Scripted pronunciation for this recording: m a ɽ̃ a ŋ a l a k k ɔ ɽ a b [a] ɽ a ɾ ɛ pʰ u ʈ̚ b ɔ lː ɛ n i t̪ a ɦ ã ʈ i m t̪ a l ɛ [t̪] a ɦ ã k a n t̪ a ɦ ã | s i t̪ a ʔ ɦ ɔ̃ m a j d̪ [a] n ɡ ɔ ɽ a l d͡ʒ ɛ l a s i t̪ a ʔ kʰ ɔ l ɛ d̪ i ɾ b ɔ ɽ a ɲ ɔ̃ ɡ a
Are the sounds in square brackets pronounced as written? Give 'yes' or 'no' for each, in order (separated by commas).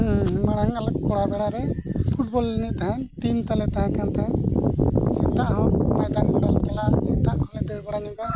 no, yes, yes